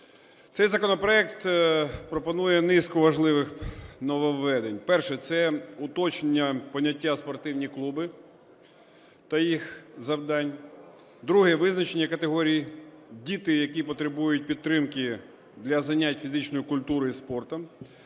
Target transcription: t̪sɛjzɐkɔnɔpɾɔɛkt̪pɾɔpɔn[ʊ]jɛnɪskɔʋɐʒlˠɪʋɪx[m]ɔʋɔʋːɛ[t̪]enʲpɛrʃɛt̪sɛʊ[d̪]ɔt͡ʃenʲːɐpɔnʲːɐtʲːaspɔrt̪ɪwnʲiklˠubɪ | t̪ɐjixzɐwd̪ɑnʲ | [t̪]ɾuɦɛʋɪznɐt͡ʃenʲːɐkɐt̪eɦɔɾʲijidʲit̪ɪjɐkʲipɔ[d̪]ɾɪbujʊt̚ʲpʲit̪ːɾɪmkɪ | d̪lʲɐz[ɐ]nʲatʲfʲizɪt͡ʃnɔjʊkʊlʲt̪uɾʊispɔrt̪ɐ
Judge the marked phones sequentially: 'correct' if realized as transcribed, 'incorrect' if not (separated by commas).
incorrect, incorrect, incorrect, incorrect, incorrect, incorrect, correct